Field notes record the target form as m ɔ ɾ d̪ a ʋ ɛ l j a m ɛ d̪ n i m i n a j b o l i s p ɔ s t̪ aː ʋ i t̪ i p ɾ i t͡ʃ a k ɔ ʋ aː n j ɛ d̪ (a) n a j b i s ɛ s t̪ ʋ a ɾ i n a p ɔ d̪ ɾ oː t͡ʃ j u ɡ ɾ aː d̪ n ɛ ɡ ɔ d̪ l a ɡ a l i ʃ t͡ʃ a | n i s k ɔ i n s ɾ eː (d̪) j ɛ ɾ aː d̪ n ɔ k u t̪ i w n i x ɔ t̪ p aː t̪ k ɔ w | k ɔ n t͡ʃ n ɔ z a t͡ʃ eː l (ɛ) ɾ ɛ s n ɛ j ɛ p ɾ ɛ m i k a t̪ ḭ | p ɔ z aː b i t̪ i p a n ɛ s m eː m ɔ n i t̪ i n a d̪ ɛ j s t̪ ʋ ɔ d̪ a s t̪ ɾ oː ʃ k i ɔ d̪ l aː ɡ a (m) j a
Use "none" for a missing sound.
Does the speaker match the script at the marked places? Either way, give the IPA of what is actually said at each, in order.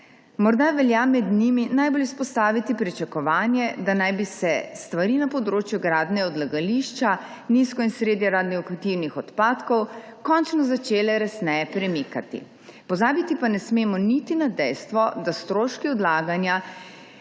a, d̪, ɛ, n

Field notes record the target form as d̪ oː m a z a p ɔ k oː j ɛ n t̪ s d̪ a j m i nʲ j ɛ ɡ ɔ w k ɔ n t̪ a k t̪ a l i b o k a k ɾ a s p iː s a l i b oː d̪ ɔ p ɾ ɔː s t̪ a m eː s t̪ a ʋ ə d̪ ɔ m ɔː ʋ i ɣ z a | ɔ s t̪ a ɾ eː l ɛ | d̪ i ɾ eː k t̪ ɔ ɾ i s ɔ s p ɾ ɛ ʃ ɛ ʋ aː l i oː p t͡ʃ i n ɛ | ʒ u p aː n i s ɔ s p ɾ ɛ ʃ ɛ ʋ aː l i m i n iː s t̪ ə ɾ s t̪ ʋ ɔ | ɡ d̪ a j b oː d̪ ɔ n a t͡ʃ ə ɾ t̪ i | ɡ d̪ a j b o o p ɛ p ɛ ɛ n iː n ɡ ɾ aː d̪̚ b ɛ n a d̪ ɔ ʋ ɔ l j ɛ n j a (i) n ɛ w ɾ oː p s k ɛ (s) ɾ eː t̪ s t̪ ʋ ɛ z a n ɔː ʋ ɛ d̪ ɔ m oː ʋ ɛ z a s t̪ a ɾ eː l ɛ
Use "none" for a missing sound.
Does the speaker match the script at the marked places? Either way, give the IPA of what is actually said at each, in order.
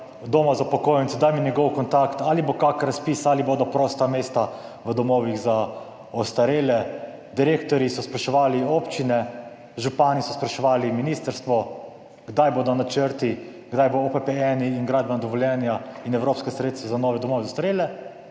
i, s

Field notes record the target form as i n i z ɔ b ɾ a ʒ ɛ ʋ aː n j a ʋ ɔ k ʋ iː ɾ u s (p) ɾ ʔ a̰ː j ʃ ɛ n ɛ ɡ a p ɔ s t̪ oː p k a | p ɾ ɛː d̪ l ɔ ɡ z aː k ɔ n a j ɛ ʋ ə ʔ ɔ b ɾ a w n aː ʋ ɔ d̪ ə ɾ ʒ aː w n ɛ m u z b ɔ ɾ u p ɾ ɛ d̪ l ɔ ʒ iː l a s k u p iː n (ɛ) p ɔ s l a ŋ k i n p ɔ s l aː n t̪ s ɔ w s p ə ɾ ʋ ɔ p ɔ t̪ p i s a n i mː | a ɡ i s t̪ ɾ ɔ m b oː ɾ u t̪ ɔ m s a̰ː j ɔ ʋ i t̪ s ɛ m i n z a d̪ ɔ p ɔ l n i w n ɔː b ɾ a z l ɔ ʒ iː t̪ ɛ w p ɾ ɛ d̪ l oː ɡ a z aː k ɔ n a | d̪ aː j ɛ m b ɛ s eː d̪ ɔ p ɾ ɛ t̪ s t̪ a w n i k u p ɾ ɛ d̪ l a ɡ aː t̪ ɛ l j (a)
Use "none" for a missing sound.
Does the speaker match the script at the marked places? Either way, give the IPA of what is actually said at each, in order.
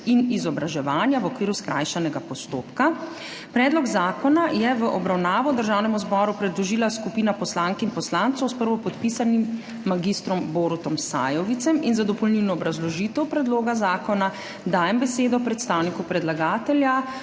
k, a, a

